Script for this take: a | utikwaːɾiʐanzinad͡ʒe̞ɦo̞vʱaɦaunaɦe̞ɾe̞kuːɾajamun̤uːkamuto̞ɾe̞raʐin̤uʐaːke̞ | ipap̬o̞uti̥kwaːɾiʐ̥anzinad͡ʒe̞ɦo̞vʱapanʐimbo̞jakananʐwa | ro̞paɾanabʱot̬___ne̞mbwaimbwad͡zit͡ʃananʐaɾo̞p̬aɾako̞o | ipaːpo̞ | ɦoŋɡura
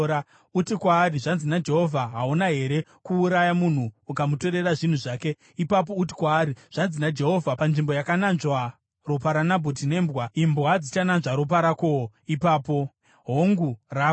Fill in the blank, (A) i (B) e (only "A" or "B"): A